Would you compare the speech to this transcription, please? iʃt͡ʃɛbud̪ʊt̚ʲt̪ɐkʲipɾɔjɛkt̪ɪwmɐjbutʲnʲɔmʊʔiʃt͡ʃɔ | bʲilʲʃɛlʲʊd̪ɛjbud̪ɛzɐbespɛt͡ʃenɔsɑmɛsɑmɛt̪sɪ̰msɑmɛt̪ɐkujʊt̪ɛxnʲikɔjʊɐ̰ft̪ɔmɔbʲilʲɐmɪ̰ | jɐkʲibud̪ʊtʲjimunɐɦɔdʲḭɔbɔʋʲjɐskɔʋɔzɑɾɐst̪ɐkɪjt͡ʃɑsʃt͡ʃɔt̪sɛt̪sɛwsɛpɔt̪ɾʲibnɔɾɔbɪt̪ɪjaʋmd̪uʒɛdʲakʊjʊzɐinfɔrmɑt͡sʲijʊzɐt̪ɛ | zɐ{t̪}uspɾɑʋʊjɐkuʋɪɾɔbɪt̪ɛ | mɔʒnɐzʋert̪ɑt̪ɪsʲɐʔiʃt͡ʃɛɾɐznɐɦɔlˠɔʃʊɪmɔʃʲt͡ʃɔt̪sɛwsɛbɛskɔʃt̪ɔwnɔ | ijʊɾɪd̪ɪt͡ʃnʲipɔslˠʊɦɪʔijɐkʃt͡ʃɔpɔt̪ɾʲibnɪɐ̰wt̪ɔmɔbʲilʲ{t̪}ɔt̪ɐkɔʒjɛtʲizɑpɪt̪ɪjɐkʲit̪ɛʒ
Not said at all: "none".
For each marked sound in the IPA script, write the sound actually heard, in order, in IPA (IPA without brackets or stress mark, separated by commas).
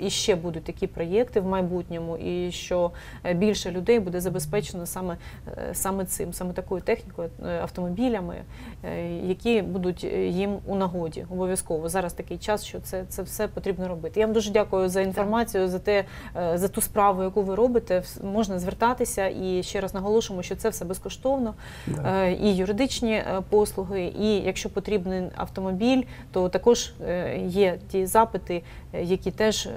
t̪, t̪